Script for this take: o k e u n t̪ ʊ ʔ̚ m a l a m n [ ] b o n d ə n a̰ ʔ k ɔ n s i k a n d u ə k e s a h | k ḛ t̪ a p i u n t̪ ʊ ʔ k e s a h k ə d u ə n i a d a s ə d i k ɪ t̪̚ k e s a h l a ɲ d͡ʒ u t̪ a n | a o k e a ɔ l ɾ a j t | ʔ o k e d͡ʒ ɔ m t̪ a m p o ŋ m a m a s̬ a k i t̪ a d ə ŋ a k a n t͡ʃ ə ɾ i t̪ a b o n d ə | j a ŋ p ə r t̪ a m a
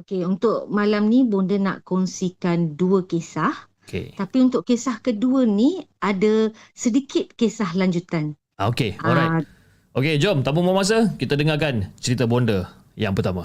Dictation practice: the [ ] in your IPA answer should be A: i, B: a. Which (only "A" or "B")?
A